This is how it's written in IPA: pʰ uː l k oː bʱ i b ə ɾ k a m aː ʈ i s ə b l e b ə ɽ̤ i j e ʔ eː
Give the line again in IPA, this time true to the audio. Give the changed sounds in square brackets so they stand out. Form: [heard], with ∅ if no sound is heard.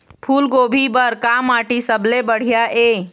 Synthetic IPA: pʰ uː l [ɡ] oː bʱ i b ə ɾ k a m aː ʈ i s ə b l e b ə ɽ̤ i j [a] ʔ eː